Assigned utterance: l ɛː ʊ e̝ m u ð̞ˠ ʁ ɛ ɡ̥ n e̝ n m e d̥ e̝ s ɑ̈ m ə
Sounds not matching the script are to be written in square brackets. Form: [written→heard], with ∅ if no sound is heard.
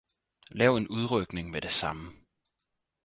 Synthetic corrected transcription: l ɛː ʊ e̝ [m→n] u ð̞ˠ ʁ [ɛ→œ] ɡ̥ n e̝ [n→ŋ] m e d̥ e̝ s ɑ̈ m ə